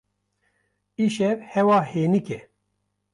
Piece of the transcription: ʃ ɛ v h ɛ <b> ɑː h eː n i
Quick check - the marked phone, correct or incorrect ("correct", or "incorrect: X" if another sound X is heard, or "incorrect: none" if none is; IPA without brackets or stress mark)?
incorrect: w